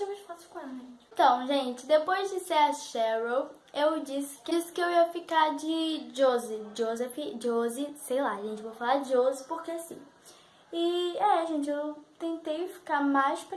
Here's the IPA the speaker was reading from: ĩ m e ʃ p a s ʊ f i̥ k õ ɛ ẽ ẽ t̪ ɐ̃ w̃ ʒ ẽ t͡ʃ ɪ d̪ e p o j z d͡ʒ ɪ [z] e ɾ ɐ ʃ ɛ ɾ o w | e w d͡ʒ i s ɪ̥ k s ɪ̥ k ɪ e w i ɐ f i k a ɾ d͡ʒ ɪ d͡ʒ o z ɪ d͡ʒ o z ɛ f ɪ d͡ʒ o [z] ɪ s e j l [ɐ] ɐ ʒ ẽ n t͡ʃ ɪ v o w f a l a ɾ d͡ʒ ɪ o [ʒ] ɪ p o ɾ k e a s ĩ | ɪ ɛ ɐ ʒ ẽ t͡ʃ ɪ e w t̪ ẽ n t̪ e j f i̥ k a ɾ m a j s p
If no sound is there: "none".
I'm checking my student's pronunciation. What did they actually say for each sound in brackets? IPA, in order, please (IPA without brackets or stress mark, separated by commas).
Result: s, z, a, z